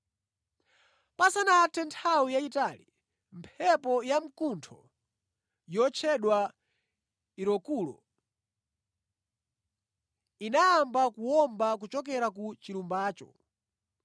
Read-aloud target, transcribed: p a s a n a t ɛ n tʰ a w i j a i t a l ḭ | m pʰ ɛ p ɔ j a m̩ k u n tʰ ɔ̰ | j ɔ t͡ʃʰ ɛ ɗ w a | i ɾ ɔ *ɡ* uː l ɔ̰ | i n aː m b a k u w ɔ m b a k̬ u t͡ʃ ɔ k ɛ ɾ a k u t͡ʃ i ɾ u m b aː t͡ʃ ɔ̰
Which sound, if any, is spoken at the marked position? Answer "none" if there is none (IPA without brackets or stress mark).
k